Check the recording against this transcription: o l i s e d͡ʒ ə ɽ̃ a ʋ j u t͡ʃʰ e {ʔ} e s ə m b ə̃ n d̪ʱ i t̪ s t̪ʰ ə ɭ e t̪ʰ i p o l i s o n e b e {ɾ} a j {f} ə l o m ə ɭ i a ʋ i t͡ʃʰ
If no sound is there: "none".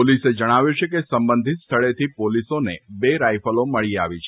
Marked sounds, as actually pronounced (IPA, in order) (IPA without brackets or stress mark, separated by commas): k, ɾ, f